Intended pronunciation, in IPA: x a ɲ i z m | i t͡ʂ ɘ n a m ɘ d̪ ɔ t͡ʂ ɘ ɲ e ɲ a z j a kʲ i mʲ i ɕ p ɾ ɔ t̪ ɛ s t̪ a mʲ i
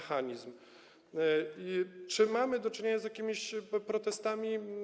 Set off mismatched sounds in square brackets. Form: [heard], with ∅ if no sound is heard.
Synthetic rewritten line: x a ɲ i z m | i t͡ʂ ɘ [m] a m ɘ d̪ ɔ t͡ʂ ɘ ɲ e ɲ a z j a kʲ i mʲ i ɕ p ɾ ɔ t̪ ɛ s t̪ a mʲ i